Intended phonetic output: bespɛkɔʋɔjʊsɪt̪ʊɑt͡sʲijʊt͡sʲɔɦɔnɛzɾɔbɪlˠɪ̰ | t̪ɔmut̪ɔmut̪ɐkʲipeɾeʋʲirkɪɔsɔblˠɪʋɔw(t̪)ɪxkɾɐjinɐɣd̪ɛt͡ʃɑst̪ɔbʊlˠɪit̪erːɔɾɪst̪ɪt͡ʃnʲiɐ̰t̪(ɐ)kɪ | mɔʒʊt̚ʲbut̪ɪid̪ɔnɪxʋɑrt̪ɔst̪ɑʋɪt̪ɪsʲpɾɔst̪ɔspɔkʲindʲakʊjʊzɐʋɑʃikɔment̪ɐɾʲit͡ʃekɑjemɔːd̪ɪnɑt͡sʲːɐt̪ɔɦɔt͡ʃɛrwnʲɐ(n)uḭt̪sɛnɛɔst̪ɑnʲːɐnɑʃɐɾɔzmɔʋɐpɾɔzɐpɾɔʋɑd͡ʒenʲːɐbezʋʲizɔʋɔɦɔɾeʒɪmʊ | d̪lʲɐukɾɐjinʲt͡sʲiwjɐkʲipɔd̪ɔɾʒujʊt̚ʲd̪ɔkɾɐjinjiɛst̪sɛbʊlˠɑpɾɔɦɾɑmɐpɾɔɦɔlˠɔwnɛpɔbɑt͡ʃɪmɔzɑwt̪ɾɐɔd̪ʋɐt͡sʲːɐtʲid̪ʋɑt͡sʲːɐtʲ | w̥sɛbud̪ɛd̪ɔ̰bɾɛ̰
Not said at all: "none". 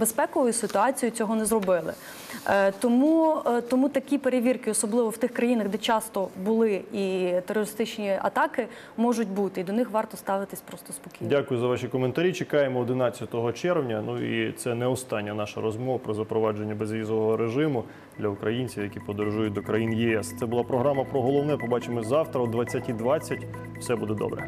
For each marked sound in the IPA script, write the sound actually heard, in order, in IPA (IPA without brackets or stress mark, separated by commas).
t̪, ɑ, n